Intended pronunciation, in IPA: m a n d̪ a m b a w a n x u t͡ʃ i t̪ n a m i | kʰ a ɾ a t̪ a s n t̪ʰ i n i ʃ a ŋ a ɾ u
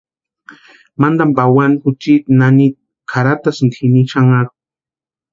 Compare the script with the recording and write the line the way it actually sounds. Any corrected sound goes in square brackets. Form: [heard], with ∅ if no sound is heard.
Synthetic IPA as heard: m a n d̪ a m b a w a n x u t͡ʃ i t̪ n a [n] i | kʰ a ɾ a t̪ a s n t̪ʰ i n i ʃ a ŋ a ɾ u